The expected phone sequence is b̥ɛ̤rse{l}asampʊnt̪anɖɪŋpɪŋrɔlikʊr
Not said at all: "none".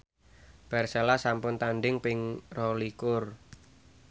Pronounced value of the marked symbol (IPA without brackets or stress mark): l